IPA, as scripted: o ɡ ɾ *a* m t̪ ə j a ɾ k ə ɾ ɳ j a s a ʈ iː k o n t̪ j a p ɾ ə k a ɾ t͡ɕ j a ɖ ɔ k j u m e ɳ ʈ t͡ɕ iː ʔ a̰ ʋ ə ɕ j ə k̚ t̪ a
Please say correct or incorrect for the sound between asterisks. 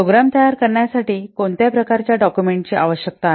correct